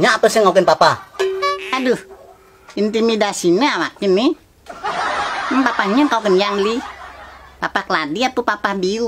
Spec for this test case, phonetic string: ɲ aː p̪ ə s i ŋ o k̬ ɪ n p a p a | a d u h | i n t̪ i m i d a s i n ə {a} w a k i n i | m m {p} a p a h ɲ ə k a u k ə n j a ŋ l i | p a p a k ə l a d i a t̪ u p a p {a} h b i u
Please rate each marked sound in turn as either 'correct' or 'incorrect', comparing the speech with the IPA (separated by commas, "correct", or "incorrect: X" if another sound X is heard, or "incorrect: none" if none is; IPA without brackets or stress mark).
correct, correct, correct